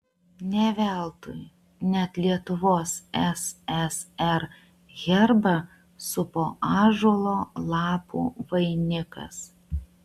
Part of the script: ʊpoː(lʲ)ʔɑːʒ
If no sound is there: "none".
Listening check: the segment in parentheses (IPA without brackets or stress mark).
none